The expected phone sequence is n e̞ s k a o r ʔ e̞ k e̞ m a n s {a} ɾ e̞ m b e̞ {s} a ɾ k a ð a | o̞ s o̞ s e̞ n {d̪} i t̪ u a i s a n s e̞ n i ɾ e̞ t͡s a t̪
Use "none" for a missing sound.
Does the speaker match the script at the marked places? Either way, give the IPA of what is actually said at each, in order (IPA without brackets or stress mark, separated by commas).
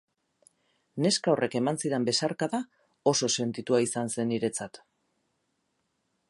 i, s, t̪